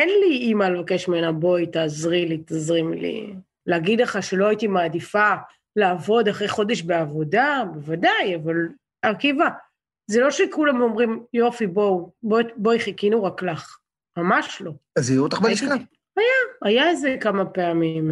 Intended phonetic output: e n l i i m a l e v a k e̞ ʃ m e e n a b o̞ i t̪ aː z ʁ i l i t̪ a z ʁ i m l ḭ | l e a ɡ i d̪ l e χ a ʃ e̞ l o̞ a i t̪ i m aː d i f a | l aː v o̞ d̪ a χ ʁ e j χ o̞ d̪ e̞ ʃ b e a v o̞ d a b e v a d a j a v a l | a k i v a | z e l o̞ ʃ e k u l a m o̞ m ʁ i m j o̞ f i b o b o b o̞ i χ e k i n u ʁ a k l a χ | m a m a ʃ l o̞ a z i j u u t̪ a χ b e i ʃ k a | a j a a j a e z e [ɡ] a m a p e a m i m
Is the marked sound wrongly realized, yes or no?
yes